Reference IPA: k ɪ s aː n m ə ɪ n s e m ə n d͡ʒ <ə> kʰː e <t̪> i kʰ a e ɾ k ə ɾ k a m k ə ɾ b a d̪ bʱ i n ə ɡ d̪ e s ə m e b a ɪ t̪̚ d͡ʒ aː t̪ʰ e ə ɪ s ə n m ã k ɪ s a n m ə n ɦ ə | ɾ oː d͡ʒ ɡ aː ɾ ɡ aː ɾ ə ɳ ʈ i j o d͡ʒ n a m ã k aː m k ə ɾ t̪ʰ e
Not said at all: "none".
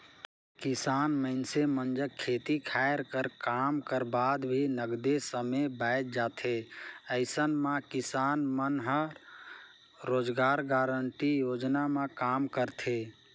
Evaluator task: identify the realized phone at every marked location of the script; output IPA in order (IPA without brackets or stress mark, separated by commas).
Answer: ə, t̪